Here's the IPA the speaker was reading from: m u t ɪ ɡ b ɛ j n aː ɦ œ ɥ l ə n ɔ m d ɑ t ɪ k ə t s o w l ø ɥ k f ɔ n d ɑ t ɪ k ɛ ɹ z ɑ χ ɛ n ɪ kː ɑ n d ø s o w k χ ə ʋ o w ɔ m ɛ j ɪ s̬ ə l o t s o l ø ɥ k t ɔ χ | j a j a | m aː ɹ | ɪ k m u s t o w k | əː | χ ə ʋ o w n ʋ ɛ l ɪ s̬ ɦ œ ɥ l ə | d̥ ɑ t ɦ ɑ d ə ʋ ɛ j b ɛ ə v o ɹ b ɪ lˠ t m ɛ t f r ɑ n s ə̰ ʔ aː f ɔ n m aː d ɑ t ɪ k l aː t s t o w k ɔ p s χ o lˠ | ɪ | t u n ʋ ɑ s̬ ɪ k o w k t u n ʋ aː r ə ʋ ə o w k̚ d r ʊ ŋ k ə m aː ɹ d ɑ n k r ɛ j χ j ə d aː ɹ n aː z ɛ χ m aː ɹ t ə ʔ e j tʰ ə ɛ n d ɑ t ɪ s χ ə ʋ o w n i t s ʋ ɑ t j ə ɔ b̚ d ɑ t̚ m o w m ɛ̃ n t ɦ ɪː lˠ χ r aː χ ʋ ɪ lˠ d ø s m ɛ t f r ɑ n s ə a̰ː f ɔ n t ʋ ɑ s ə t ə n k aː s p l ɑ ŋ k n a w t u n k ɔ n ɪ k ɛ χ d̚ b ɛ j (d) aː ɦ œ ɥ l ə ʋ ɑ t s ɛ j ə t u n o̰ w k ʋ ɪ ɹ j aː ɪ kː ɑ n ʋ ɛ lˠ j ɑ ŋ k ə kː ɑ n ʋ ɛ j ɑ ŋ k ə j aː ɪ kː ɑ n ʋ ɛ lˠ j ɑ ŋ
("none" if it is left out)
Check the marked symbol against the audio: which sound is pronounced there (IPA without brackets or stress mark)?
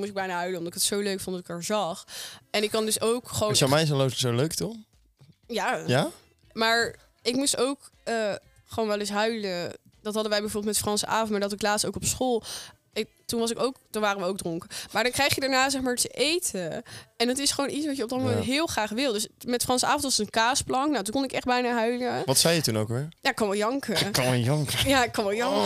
n